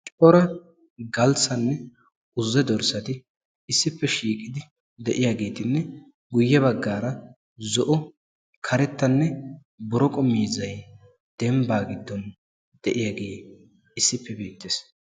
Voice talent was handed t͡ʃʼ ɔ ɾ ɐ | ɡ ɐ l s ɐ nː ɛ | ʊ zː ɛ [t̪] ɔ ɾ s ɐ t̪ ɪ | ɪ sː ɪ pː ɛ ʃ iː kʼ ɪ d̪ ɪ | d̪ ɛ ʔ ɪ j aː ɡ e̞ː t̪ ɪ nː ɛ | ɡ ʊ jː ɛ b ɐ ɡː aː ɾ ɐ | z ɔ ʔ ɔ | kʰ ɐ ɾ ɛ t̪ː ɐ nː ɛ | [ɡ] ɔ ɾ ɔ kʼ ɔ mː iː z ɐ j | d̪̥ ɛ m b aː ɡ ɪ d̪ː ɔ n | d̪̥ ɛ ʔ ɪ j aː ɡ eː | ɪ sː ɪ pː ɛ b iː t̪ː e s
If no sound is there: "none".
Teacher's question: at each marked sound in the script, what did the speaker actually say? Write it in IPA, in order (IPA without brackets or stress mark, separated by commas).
d̪, b